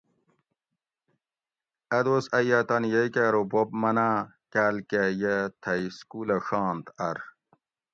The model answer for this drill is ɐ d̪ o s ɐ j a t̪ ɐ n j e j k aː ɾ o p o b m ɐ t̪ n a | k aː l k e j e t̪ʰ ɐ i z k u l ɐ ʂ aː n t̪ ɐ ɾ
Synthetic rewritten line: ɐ d̪ o s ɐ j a t̪ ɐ n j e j k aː ɾ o b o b m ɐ n a | k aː l k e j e t̪ʰ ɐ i s k u l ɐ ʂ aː n t̪ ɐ ɾ